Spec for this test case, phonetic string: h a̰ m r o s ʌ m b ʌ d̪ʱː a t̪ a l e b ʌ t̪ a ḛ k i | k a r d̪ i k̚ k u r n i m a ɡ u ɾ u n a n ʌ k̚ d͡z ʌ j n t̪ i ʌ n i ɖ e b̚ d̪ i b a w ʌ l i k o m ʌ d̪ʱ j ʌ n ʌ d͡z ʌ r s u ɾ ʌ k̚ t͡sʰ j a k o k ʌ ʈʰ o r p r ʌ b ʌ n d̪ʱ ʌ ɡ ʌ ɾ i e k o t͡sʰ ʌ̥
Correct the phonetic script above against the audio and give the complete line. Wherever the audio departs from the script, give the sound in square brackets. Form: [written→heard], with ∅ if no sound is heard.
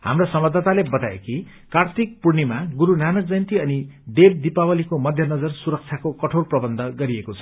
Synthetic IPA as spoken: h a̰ m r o s ʌ m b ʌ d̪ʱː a t̪ a l e b ʌ t̪ a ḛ k i | k a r [d̪→t̪] i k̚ [k→p] u r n i m a ɡ u ɾ u n a n ʌ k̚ d͡z ʌ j n t̪ i ʌ n i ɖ e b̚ d̪ i [b→p] a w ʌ l i k o m ʌ d̪ʱ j ʌ n ʌ d͡z ʌ r s u ɾ ʌ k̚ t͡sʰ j a k o k ʌ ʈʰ o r p r ʌ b ʌ n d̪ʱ ʌ ɡ ʌ ɾ i e k o t͡sʰ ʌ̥